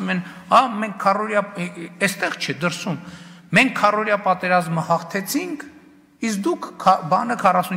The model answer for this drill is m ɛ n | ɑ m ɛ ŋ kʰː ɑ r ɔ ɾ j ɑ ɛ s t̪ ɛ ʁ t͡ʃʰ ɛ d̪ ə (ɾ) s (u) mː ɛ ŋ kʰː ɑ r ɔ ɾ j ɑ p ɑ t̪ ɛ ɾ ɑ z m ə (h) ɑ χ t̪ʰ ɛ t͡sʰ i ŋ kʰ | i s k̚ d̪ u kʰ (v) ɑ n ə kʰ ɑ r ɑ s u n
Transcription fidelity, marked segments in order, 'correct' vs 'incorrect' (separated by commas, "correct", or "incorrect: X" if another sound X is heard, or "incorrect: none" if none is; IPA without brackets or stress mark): correct, correct, correct, incorrect: b